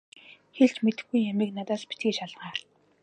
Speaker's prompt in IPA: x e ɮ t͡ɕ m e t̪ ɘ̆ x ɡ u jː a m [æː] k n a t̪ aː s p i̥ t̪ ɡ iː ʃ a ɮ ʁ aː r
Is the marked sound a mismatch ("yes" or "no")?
yes